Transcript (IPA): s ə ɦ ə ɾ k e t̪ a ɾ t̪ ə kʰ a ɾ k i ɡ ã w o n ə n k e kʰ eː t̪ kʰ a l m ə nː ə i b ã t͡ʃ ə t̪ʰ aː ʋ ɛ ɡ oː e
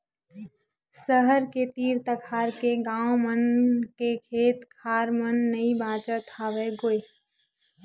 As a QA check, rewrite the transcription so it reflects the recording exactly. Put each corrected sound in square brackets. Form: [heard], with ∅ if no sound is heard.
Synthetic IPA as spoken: s ə ɦ ə ɾ k e t̪ [i] ɾ t̪ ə kʰ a ɾ k [e] ɡ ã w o [m] ə n k e kʰ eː t̪ kʰ a [ɾ] m ə nː ə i b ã t͡ʃ ə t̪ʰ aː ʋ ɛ ɡ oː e

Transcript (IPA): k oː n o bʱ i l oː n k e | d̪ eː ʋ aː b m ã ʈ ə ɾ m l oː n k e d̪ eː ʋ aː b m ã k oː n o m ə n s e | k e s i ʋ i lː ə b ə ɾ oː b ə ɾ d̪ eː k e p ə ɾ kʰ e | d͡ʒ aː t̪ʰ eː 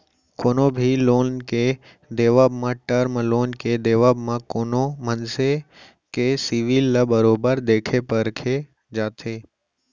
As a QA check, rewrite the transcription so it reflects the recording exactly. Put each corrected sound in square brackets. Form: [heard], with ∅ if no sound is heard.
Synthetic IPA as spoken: k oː n o bʱ i l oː n k e | d̪ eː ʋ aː b m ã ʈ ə ɾ m l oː n k e d̪ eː ʋ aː b m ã k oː n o m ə n s e | k e s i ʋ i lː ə b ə ɾ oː b ə ɾ d̪ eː [kʰ] e p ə ɾ kʰ e | d͡ʒ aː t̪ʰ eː

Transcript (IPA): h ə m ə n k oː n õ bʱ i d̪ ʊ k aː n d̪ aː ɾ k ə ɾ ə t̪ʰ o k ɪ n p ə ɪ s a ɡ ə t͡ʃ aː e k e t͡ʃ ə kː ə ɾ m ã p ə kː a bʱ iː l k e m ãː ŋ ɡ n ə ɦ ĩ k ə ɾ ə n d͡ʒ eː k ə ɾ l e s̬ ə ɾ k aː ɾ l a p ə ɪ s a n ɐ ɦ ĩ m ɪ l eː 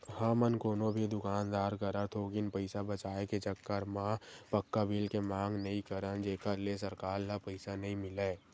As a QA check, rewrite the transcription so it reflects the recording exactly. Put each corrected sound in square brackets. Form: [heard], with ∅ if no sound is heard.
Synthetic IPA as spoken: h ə m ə n k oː n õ bʱ i d̪ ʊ k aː n d̪ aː ɾ k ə ɾ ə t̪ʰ o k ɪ n p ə ɪ s a [b] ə t͡ʃ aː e k e t͡ʃ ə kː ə ɾ m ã p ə kː a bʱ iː l k e m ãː ŋ ɡ n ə ɦ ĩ k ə ɾ ə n d͡ʒ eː k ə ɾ l e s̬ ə ɾ k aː ɾ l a p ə ɪ s a n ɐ ɦ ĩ m ɪ l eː

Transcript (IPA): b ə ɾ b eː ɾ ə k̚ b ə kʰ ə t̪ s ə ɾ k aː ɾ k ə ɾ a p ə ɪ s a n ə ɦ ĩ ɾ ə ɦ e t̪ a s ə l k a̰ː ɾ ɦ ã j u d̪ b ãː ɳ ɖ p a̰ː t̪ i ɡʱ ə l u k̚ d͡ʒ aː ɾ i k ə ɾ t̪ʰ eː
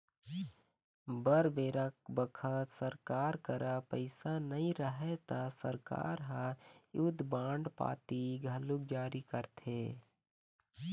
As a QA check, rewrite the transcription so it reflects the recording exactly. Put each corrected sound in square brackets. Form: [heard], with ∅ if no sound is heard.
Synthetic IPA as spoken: b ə ɾ b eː ɾ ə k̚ b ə kʰ ə t̪ s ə ɾ k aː ɾ k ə ɾ a p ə ɪ s a n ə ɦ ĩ ɾ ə ɦ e t̪ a s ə [ɾ] k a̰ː ɾ ɦ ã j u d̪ b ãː ɳ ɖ p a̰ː t̪ i ɡʱ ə l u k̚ d͡ʒ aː ɾ i k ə ɾ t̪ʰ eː

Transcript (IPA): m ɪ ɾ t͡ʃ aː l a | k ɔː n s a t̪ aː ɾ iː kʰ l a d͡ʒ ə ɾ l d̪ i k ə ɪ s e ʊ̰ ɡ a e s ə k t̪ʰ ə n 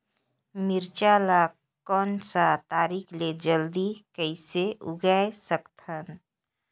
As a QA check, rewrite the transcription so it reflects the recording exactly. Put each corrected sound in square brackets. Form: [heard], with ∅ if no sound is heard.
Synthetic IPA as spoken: m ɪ ɾ t͡ʃ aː l a | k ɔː n s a t̪ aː ɾ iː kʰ l [e] d͡ʒ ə [∅] l d̪ i k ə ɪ s e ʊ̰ ɡ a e s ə k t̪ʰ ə n

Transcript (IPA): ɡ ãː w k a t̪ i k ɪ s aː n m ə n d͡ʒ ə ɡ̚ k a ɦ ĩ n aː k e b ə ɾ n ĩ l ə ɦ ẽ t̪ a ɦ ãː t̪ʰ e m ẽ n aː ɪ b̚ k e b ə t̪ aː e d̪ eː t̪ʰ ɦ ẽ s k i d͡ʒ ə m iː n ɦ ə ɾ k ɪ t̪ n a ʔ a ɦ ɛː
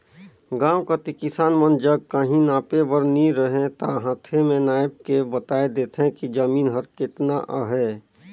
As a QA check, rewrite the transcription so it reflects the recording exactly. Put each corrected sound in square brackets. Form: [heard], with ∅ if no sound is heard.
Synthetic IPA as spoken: ɡ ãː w k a t̪ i k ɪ s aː n m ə n d͡ʒ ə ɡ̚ k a ɦ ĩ n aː [p] e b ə ɾ n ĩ [ɾ] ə ɦ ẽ t̪ a ɦ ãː t̪ʰ e m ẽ n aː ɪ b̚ k e b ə t̪ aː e d̪ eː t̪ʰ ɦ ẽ [∅] k i d͡ʒ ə m iː n ɦ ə ɾ k ɪ t̪ n a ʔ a ɦ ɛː

